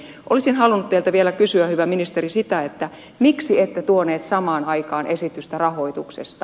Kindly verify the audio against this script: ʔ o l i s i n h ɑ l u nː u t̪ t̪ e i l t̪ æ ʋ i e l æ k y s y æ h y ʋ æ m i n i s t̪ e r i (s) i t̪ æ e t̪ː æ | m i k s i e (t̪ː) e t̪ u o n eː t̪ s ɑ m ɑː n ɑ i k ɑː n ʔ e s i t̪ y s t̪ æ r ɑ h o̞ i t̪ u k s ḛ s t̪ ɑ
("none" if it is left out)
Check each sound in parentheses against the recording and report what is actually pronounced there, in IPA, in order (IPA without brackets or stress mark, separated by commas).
s, t̪ː